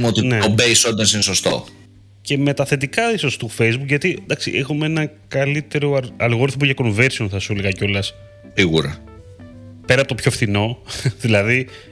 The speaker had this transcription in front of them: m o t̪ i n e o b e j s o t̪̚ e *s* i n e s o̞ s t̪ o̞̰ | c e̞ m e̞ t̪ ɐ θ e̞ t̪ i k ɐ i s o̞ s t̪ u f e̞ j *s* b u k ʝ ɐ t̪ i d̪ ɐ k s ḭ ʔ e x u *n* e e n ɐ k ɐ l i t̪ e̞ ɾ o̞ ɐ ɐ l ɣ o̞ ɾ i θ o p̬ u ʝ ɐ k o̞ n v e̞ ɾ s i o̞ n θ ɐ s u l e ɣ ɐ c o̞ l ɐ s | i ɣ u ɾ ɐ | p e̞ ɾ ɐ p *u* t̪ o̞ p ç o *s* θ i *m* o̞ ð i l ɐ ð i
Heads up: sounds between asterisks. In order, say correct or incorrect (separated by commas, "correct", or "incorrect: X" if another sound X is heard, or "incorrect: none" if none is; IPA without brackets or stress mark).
correct, incorrect: z, incorrect: m, incorrect: o, incorrect: f, incorrect: n